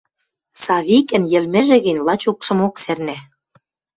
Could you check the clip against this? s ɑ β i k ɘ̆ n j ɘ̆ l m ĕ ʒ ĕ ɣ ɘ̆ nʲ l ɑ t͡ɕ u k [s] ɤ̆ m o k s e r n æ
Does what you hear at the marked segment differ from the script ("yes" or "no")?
yes